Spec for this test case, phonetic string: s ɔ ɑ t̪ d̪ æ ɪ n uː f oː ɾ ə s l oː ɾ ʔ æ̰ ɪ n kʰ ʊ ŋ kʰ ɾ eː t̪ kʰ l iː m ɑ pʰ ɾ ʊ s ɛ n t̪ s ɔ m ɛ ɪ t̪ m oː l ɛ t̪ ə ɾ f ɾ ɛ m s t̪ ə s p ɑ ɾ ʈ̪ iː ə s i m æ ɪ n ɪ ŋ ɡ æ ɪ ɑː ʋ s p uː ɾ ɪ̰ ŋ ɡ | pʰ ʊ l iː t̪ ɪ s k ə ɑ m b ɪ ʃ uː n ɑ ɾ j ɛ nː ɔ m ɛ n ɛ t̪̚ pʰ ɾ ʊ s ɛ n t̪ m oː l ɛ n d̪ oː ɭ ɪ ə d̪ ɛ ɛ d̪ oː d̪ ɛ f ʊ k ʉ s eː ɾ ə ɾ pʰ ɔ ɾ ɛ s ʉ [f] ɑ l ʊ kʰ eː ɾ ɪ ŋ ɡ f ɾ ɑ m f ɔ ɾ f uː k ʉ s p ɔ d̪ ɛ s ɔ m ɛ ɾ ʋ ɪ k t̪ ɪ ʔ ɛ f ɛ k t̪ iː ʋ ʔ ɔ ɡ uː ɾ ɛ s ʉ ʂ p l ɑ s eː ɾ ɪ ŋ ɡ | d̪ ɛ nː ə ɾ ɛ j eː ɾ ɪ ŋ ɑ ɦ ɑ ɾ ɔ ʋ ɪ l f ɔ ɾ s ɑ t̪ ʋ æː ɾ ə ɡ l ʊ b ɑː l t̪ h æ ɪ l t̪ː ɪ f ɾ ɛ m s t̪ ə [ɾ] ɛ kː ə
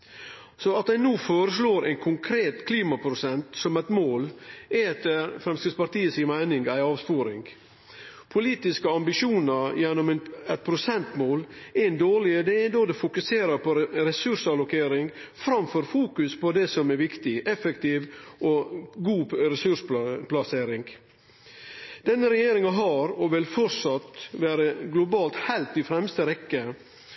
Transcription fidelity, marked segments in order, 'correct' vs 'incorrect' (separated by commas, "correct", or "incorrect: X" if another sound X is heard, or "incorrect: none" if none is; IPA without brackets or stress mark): incorrect: ʂ, correct